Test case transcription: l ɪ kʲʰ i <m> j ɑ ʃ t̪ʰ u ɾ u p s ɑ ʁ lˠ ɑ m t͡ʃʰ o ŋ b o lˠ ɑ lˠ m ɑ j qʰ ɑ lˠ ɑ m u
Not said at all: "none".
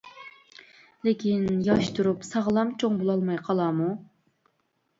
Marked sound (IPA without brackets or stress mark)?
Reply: n